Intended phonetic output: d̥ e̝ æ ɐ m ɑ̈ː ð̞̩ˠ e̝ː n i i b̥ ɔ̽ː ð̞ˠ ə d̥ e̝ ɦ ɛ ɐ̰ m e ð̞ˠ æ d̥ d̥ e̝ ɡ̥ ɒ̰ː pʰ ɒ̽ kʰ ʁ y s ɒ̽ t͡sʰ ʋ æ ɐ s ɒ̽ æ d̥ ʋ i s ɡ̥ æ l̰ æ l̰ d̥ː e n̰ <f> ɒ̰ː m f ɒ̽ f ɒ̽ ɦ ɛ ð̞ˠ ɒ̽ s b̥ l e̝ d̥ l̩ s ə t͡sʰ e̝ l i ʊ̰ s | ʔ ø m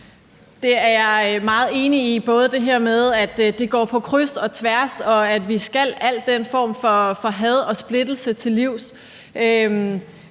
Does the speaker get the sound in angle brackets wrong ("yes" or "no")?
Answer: no